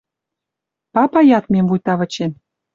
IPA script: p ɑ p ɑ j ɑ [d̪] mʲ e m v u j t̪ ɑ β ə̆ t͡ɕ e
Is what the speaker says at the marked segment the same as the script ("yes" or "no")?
no